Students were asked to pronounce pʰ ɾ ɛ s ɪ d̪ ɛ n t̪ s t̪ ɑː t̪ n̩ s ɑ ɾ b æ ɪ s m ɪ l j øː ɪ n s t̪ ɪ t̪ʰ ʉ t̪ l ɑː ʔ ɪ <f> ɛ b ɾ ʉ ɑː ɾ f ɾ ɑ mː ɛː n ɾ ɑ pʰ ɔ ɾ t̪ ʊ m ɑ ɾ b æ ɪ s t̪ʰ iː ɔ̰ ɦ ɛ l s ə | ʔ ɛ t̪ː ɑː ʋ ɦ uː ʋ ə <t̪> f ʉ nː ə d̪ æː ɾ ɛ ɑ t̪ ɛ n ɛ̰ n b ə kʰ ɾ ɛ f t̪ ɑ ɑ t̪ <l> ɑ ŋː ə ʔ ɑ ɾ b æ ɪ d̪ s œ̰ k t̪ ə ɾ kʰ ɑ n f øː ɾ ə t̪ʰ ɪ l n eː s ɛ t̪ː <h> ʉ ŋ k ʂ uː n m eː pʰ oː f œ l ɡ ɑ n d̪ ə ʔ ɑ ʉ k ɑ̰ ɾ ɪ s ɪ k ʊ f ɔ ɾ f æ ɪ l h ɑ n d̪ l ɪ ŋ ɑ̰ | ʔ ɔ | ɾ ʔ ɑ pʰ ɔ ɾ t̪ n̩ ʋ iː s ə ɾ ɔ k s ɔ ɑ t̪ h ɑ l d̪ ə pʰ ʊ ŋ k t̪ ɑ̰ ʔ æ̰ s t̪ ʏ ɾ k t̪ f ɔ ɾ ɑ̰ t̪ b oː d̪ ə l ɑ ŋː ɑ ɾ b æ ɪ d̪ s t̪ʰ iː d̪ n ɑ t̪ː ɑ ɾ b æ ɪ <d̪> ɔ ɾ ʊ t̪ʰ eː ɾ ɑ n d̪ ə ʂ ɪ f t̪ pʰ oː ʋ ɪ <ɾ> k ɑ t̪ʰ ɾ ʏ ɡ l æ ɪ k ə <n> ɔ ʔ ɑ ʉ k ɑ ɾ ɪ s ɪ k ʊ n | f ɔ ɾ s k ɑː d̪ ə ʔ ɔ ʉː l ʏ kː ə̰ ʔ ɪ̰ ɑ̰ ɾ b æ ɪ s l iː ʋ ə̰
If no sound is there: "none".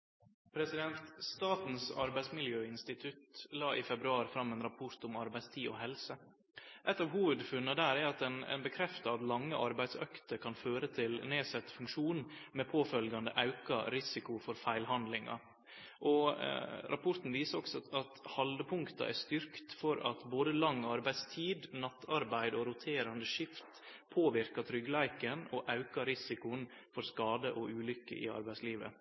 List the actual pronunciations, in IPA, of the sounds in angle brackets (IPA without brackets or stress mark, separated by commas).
f, d̪, l, f, d̪, ɾ, n